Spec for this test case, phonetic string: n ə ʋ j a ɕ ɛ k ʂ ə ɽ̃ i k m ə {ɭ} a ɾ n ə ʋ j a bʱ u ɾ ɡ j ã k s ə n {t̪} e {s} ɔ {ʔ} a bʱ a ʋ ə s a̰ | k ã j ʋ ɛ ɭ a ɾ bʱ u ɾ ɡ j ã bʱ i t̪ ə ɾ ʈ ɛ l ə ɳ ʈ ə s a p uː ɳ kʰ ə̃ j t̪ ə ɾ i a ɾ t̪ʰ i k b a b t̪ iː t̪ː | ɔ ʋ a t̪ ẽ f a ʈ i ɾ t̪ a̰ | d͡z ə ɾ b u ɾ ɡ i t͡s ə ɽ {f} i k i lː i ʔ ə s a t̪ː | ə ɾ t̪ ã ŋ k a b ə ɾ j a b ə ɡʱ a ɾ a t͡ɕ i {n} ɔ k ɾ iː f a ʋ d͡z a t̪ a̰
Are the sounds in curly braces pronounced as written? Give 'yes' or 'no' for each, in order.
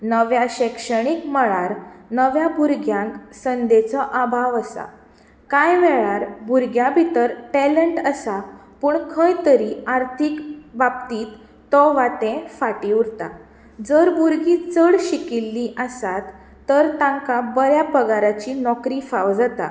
yes, no, no, yes, no, yes

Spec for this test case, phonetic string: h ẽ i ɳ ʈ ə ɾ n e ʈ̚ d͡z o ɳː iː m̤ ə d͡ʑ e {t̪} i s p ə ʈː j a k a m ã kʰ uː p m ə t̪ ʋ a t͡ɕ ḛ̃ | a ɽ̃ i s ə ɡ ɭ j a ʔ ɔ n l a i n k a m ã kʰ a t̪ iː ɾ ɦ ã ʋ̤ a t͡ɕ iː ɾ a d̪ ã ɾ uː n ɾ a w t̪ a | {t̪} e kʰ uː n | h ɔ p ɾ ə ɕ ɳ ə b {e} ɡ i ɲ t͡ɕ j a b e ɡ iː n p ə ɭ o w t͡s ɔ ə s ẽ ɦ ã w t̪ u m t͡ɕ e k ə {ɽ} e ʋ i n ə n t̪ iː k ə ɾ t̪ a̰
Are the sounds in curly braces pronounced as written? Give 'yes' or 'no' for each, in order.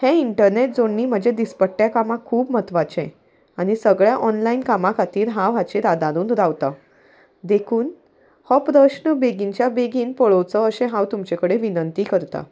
no, no, yes, yes

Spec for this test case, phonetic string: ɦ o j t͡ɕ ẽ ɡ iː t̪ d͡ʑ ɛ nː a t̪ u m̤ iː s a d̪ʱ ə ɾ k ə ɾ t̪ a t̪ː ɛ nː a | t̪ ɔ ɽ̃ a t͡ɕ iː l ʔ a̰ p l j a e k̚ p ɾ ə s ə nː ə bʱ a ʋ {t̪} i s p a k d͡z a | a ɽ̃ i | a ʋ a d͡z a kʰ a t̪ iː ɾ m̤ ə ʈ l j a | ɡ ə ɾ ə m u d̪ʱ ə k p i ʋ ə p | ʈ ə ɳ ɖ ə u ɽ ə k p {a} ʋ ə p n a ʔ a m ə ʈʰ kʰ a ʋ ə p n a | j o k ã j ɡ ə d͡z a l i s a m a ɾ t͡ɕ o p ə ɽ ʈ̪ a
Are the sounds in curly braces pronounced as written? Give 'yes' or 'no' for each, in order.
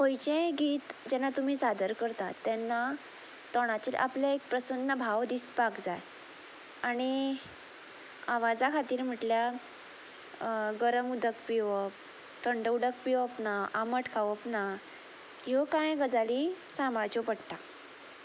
no, no

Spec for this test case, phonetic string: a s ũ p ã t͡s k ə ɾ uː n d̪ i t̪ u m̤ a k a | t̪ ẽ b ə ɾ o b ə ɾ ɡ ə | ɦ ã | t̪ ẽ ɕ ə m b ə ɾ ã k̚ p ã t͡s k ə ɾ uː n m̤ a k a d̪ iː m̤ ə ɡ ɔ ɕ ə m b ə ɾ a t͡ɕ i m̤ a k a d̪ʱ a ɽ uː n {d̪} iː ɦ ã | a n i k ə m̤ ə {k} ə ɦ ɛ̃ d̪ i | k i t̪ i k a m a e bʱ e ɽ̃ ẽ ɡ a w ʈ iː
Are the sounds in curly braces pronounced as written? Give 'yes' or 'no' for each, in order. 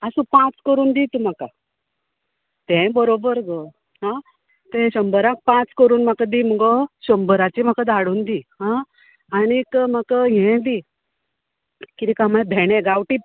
yes, yes

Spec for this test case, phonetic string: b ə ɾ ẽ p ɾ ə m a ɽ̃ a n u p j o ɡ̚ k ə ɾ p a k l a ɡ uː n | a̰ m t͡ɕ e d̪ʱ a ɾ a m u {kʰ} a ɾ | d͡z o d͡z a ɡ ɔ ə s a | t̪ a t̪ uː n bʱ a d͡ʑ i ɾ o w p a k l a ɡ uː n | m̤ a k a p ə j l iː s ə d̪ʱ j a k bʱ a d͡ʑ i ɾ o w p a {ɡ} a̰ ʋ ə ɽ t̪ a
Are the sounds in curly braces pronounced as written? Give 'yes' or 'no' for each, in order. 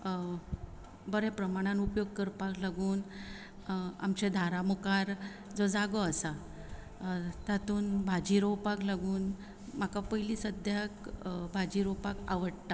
no, no

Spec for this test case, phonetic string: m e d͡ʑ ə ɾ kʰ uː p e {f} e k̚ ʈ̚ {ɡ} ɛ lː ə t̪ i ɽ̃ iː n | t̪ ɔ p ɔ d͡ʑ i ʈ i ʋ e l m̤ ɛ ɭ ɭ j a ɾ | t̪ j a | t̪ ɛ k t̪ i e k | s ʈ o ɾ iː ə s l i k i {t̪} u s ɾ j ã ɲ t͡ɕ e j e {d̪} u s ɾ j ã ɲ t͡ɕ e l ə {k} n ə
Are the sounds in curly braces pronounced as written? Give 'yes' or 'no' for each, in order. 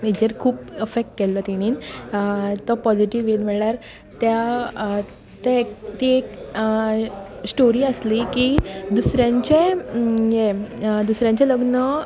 yes, no, no, yes, no

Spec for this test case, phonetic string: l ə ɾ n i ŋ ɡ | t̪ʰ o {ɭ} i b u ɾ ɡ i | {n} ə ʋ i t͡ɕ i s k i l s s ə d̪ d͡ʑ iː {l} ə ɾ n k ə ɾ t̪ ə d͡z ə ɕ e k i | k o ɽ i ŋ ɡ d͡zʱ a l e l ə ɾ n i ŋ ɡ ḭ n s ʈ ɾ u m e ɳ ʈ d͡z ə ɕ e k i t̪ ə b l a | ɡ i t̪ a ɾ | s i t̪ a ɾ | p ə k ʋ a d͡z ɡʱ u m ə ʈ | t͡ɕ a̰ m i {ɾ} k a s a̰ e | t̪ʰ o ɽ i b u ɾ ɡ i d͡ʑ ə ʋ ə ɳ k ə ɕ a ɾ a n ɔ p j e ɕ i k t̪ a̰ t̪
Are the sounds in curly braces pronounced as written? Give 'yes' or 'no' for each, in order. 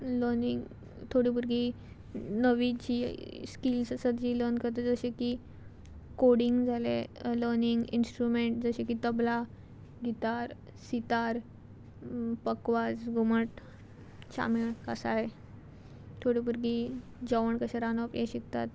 no, yes, yes, no

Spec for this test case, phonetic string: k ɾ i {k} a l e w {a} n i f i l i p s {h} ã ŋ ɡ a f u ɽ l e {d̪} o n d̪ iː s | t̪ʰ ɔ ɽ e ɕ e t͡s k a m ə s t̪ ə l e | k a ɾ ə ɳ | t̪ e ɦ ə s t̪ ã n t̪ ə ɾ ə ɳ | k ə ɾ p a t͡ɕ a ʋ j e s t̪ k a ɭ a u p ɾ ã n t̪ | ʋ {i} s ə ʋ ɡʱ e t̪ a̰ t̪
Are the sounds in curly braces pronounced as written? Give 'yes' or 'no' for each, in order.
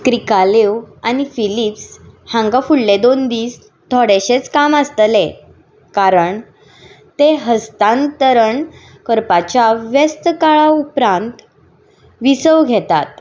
yes, yes, yes, yes, yes

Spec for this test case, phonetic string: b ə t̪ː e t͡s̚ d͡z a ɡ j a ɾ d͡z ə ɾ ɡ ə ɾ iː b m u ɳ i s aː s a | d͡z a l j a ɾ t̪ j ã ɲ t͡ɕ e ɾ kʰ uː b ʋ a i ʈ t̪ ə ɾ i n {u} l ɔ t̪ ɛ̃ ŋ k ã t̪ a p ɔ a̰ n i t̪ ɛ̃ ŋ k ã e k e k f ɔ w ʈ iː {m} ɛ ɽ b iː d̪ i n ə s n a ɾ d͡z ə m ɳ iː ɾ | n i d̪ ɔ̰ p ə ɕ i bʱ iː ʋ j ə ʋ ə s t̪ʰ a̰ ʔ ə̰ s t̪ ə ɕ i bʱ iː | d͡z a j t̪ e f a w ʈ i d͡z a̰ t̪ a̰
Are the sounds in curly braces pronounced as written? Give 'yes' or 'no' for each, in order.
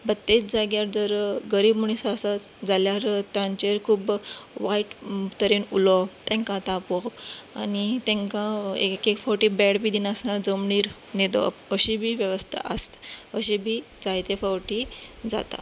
yes, no

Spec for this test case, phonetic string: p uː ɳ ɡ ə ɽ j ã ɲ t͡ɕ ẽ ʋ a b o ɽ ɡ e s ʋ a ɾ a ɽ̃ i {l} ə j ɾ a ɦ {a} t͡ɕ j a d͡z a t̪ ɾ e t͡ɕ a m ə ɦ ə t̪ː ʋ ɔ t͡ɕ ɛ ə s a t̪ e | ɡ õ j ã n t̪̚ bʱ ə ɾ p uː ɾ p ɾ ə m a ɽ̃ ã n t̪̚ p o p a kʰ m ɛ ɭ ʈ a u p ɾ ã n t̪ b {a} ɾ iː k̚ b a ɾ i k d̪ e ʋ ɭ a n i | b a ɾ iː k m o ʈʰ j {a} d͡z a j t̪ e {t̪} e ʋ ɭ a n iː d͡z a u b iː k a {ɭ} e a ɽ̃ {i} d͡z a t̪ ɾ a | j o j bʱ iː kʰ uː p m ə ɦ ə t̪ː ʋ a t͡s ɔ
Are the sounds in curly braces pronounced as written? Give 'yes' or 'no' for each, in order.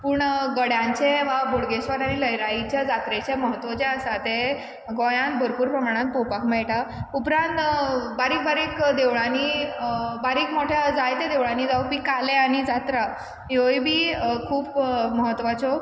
yes, no, yes, yes, no, no, yes

